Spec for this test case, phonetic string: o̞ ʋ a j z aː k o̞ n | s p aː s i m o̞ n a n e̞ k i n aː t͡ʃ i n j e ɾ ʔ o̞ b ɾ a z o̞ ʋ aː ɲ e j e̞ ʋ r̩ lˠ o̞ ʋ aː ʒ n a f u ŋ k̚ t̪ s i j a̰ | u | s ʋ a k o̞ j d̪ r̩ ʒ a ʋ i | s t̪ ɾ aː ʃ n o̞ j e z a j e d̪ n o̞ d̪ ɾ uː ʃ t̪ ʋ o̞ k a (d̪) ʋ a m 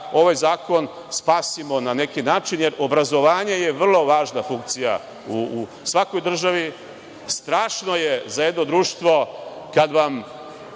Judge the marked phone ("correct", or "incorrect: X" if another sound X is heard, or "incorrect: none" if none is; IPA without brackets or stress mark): correct